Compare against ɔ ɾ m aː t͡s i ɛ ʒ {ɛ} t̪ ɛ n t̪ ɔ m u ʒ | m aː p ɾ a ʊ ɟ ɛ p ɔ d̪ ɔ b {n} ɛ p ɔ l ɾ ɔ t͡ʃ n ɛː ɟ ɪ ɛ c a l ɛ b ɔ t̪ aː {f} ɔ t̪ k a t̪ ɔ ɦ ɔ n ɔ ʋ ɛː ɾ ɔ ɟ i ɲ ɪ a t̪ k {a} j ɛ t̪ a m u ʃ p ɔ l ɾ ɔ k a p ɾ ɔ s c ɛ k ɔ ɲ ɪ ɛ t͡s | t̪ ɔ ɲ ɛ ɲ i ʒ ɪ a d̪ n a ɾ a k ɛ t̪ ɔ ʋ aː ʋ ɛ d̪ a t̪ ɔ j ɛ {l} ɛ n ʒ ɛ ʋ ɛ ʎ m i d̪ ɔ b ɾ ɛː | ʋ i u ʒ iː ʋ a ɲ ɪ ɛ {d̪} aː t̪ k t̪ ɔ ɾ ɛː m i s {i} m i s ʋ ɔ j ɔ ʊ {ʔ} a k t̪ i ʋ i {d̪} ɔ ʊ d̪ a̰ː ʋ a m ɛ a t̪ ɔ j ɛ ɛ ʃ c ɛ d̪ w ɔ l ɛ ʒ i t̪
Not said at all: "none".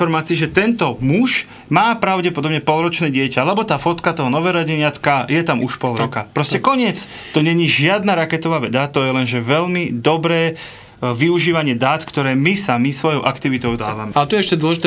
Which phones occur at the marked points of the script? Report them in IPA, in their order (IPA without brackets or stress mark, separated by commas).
ɛ, ɲ, f, a, l, d̪, a, ʔ, t̪